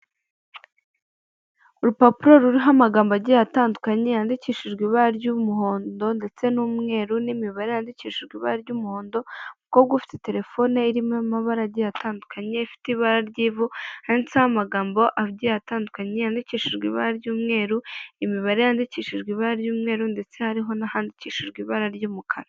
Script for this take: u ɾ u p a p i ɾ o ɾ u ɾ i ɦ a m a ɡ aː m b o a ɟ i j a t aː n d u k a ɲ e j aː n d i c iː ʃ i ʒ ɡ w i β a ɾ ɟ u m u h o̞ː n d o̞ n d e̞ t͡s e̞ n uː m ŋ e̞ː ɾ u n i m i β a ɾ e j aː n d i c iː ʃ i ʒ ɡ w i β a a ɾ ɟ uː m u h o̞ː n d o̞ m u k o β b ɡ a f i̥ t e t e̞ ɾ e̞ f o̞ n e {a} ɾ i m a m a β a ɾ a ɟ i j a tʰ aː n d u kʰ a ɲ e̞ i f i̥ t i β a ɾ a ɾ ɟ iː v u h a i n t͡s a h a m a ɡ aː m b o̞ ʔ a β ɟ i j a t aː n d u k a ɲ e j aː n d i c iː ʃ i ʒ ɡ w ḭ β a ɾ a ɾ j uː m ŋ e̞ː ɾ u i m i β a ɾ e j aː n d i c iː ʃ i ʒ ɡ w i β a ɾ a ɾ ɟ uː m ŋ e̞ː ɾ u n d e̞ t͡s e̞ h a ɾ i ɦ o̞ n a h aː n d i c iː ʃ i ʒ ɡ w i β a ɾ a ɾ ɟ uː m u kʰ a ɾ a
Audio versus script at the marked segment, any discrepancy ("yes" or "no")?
yes